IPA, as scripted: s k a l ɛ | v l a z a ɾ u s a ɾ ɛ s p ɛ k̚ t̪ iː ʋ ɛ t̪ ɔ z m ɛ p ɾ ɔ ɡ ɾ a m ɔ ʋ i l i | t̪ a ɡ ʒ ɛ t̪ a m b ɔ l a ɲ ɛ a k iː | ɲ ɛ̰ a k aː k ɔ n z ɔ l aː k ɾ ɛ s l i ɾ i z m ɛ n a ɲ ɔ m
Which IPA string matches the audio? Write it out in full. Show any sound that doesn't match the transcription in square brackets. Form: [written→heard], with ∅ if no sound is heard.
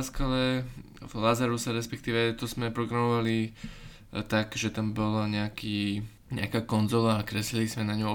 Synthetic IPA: s k a l ɛ | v l a z a ɾ u s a ɾ ɛ s p ɛ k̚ t̪ iː ʋ ɛ t̪ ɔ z m ɛ p ɾ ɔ ɡ ɾ a m ɔ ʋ [i→a] l i | t̪ a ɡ ʒ ɛ t̪ a m b ɔ l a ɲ ɛ a k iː | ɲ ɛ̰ a k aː k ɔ n z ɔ l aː k ɾ ɛ s l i [ɾ→l] i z m ɛ n a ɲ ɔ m